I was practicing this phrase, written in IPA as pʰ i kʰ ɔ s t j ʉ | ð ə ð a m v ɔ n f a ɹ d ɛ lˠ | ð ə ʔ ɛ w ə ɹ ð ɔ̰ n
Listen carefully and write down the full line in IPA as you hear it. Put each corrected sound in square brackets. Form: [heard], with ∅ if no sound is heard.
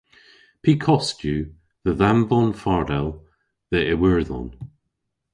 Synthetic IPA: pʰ i kʰ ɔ s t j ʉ | ð ə ð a m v ɔ n f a ɹ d ɛ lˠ | ð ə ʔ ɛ w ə ɹ ð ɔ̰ n